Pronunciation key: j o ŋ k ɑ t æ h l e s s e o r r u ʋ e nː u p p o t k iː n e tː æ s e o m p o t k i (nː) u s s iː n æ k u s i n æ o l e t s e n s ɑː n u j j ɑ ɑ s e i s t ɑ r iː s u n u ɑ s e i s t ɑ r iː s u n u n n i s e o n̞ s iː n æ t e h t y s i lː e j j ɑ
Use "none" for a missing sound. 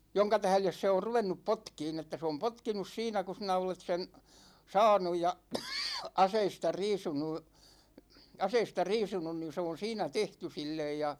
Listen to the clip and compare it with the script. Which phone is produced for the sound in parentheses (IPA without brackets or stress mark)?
n